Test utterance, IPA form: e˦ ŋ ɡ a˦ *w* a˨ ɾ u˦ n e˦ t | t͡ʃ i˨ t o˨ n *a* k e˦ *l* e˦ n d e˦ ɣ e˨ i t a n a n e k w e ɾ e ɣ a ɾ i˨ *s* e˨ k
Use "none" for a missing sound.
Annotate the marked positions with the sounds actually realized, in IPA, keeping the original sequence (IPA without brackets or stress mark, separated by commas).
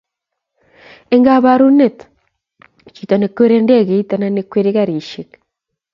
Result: β, e, ɾ, ʃ